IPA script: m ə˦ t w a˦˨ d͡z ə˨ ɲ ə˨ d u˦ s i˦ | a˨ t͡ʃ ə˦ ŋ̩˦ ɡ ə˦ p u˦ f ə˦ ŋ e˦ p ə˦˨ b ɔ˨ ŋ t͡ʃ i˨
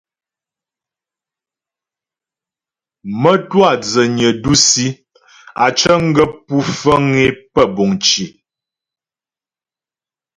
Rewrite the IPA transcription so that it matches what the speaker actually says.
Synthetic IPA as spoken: m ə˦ t w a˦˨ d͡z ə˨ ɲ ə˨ d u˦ s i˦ | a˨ t͡ʃ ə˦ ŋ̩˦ ɡ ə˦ p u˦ f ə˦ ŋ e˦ p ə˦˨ b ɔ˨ ŋ t͡ʃ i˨